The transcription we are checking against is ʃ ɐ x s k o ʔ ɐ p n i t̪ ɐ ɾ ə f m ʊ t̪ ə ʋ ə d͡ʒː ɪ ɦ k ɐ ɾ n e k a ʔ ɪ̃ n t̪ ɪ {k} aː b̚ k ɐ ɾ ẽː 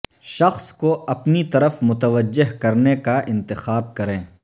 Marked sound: incorrect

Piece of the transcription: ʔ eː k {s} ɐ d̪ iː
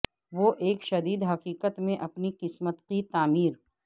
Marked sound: incorrect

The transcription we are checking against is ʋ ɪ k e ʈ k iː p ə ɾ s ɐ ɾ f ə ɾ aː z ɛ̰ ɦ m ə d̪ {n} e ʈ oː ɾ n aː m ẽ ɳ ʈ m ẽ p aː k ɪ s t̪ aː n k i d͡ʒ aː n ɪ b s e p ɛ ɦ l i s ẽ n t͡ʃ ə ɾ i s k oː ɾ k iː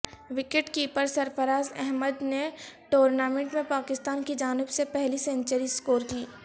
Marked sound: correct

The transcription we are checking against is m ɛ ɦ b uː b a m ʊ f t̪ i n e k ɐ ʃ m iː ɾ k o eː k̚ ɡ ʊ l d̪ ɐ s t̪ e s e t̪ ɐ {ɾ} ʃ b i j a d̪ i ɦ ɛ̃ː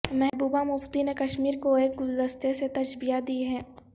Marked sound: incorrect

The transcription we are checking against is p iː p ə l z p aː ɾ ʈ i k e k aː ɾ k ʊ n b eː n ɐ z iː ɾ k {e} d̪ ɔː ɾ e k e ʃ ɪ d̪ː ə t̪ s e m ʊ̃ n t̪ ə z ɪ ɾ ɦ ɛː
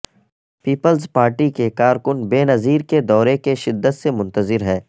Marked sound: correct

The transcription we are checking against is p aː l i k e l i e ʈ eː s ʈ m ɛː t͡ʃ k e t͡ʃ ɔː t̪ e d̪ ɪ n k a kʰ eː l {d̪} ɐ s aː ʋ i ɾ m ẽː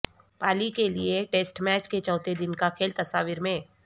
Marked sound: incorrect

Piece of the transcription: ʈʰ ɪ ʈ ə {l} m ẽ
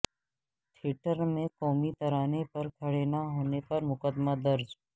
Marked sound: incorrect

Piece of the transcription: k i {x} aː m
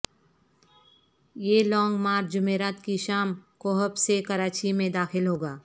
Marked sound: incorrect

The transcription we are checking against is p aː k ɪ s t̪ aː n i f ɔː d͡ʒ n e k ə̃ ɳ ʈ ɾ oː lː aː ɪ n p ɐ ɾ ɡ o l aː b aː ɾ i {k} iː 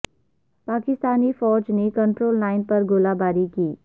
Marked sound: correct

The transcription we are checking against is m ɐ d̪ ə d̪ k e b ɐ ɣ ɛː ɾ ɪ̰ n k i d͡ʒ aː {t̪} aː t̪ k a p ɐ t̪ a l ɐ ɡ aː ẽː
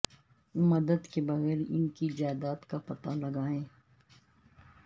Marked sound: incorrect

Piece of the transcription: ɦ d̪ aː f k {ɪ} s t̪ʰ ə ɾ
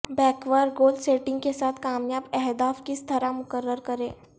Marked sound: incorrect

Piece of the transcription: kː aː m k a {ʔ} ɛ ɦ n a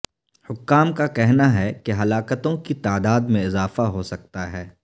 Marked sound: incorrect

